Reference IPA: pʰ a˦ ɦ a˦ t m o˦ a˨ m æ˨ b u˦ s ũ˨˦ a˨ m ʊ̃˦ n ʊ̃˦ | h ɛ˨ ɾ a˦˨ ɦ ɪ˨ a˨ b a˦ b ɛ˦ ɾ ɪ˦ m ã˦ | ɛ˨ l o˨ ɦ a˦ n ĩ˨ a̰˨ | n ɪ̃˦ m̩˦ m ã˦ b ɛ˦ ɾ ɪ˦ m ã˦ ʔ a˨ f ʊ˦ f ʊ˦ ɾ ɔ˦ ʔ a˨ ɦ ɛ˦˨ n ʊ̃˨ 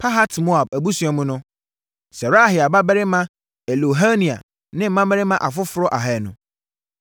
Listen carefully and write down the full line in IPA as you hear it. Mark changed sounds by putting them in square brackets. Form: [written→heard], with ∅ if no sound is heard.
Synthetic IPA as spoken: pʰ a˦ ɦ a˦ t m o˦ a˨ [m→b] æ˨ b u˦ s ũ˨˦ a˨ m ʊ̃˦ n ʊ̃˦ | [h→s] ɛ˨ ɾ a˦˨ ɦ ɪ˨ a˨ b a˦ b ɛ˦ ɾ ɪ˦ m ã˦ | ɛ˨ l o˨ ɦ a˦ n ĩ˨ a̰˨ | n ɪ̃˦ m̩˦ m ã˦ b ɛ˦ ɾ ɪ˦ m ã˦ ʔ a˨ f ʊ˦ f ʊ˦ ɾ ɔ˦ ʔ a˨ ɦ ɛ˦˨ n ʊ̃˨

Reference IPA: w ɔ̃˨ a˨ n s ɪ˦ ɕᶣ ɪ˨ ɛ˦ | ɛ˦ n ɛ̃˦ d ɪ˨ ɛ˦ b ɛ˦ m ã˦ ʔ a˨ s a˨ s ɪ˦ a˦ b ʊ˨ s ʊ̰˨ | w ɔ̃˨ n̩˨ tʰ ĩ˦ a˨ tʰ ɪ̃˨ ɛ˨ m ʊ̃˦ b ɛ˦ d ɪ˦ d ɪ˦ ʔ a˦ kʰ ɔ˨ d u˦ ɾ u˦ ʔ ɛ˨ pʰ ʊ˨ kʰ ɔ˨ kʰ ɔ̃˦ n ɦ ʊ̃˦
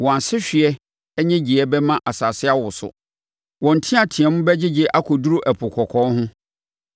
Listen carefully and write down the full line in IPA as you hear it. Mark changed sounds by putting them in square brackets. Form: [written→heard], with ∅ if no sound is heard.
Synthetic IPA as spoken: w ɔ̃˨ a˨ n s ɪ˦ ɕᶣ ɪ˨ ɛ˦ | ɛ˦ [n→ɲ] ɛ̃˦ [d→d͡ʑ] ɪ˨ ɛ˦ b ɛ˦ m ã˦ ʔ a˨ s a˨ s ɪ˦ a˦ [b→w] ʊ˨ s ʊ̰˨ | w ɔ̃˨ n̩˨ tʰ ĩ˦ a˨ tʰ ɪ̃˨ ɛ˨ m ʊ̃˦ b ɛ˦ [d→d͡ʑ] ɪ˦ [d→d͡ʑ] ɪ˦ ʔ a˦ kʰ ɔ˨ d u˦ ɾ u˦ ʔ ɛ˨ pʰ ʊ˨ kʰ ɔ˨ kʰ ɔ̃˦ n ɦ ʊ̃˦

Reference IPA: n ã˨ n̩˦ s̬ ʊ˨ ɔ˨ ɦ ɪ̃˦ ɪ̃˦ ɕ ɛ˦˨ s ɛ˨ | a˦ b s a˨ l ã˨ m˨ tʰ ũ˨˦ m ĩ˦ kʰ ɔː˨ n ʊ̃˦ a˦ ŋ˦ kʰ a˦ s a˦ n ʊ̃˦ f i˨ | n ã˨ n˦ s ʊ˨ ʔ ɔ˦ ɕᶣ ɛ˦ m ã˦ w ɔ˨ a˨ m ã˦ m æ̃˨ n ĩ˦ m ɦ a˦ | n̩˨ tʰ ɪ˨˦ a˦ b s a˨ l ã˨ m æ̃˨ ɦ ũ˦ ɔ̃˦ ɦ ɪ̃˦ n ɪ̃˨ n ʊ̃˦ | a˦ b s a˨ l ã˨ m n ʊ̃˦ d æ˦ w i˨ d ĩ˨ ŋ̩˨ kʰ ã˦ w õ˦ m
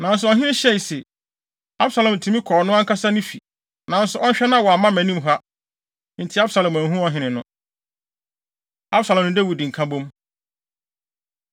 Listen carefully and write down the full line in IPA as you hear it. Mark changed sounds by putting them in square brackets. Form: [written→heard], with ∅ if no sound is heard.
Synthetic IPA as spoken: n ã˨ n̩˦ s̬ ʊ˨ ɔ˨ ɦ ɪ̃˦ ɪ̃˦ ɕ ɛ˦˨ s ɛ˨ | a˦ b s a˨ l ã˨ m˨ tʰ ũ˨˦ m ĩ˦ kʰ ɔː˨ n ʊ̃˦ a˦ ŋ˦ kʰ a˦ s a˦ n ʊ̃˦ f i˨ | n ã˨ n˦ s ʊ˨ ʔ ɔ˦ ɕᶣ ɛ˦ [m→n] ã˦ w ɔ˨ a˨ m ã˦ m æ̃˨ n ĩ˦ m ɦ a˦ | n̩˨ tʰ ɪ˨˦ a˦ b s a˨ l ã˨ m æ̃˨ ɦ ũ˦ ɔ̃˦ ɦ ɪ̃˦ n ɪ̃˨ n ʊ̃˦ | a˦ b s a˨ l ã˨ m n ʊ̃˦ d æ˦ w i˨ d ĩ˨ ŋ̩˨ kʰ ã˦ [w→b] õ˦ m

